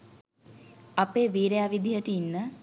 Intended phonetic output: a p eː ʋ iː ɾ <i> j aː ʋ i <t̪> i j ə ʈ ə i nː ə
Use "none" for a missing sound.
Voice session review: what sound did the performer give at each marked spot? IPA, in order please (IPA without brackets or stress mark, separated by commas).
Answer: e, d̪